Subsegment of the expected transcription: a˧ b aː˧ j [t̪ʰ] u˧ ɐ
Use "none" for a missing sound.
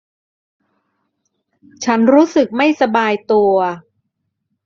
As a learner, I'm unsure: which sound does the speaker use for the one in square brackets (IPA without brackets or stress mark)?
t̪